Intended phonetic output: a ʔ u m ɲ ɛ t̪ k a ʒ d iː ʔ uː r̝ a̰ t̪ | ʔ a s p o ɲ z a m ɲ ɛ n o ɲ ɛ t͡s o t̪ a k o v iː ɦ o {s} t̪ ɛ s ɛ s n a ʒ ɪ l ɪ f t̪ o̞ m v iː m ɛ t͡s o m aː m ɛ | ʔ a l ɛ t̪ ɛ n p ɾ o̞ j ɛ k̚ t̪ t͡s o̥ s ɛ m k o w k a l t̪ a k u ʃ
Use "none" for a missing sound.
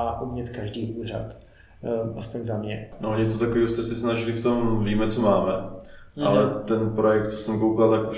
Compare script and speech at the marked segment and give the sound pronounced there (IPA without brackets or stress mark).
s